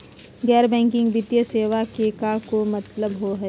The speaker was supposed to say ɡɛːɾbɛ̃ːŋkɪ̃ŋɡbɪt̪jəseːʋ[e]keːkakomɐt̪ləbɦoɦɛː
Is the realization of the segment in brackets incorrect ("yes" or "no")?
yes